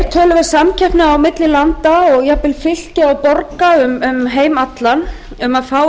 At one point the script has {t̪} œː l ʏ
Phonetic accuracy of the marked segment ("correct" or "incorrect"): incorrect